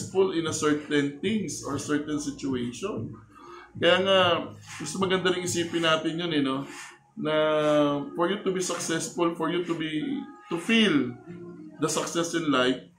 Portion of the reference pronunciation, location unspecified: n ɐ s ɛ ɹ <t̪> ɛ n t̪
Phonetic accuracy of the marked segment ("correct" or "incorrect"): correct